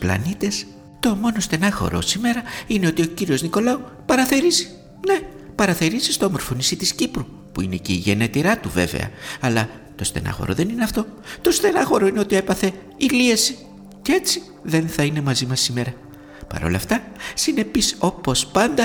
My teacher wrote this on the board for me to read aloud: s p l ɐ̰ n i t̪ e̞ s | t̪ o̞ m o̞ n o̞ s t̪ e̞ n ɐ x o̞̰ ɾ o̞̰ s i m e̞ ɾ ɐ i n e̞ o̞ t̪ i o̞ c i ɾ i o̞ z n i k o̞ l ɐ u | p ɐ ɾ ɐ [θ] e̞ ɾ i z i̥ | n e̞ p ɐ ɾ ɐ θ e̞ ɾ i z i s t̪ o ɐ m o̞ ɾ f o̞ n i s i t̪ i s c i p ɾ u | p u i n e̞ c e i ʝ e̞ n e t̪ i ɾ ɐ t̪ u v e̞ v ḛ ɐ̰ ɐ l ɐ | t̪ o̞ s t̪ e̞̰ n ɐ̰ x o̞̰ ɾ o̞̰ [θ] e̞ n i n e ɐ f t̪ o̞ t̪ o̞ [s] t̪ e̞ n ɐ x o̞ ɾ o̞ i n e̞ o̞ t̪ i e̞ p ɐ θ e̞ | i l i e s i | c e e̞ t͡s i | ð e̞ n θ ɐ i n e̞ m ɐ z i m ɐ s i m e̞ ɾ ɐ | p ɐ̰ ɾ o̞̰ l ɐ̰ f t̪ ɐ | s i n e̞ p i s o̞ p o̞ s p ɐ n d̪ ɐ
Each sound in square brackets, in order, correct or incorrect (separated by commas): correct, incorrect, correct